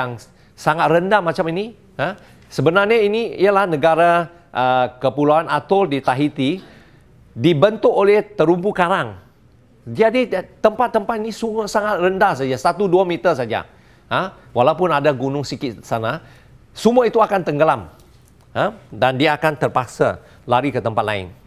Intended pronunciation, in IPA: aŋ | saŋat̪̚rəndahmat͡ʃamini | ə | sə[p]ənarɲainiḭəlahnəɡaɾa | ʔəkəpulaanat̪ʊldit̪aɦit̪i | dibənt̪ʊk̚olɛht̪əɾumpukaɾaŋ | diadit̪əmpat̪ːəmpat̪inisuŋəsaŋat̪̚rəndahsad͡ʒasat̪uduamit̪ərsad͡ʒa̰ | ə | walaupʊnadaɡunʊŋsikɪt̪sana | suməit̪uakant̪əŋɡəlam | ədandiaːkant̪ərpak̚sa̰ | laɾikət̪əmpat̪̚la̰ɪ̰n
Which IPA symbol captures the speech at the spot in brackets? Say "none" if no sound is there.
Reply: b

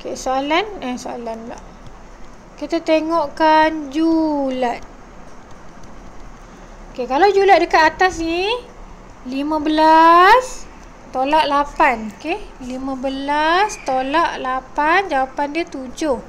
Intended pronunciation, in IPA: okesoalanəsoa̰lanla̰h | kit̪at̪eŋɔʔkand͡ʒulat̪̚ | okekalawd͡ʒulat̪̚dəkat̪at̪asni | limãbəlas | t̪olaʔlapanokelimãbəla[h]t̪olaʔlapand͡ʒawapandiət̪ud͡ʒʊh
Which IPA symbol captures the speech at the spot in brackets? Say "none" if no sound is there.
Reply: s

